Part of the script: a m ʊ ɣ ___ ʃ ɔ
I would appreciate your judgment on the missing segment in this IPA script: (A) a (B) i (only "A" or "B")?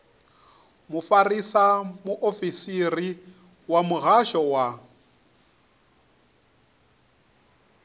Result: A